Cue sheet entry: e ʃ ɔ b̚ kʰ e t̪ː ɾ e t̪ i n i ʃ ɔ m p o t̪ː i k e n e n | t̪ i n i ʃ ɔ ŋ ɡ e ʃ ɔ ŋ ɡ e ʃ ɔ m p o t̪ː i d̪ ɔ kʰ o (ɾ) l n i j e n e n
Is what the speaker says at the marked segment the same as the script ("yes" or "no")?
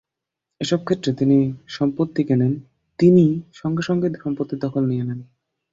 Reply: no